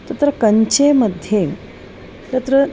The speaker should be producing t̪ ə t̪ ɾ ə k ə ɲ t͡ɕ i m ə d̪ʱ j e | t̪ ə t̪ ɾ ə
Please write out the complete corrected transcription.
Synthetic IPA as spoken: t̪ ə t̪ ɾ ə k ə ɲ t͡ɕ e m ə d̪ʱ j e | t̪ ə t̪ ɾ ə